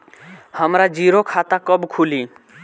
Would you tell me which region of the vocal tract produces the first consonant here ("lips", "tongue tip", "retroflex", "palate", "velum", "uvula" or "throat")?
throat